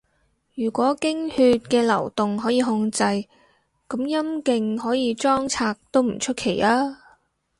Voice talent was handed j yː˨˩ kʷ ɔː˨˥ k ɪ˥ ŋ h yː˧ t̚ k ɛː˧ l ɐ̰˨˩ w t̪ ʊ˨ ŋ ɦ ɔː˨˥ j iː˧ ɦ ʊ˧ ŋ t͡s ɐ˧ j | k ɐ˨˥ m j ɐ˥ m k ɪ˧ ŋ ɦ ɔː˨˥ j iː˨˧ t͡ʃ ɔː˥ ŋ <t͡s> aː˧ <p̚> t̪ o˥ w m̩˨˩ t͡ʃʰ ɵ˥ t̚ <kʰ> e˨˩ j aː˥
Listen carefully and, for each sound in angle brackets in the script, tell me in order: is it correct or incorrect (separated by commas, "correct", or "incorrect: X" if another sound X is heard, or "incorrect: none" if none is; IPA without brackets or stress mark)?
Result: incorrect: t͡sʰ, incorrect: k̚, correct